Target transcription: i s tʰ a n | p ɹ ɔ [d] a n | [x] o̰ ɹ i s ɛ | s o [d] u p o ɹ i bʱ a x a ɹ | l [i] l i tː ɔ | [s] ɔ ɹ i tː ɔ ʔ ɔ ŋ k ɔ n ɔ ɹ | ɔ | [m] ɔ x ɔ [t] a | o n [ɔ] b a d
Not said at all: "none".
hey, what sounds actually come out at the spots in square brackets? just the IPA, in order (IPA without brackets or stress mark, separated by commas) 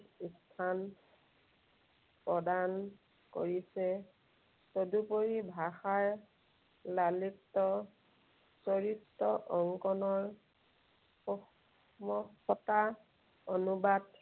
d, k, d, a, s, m, t, u